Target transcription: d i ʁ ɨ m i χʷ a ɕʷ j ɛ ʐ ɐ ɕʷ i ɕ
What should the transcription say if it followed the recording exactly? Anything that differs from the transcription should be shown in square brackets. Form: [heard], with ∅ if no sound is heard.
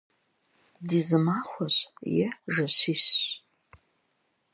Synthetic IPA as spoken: d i [z] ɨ m [a] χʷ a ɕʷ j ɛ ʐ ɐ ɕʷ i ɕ